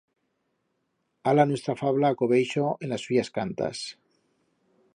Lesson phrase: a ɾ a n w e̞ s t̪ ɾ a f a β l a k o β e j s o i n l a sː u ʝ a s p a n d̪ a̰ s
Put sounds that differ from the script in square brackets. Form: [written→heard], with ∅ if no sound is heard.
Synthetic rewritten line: a [ɾ→l] a n w e̞ s t̪ ɾ a f a β l a k o β e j [s→ʃ] o [i→e] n l a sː u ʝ a s [p→k] a n [d̪→t̪] a̰ s